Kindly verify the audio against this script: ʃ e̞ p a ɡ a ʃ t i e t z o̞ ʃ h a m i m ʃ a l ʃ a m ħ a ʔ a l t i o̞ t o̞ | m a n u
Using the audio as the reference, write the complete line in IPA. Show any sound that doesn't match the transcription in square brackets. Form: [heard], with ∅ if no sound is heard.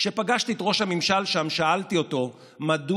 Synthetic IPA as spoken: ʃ e̞ p a ɡ a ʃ t i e t [ʁ] o̞ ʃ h a m i m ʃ a l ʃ a m [ʃ] a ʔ a l t i o̞ t o̞ | m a [d] u